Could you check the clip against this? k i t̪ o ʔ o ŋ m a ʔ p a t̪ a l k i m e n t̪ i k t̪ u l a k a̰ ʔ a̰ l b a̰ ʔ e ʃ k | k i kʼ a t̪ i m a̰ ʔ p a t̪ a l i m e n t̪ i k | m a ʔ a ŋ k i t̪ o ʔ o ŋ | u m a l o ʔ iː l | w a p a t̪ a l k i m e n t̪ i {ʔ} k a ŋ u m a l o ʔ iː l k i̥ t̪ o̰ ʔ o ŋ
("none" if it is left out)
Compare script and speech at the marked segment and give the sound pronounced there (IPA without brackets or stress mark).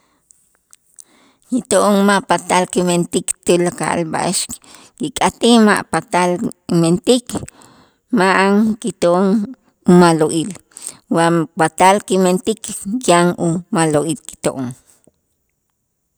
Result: k